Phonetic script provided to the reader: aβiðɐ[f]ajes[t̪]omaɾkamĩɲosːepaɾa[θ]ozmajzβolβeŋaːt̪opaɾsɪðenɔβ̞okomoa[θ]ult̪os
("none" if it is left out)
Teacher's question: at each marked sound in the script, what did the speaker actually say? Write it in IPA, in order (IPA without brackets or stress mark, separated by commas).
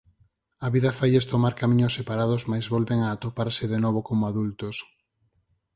f, t̪, ð, ð